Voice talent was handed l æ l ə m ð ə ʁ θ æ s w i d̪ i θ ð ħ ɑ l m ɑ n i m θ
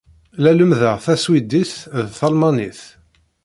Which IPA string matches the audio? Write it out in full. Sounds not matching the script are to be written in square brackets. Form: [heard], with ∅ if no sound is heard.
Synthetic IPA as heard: l æ l ə m ð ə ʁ θ æ s w i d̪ i θ ð [θ] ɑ l m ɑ n i [∅] θ